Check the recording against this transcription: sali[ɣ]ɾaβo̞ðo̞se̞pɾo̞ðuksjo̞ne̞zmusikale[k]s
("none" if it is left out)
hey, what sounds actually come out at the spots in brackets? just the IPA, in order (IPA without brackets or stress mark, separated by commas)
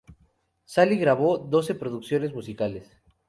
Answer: ɣ, none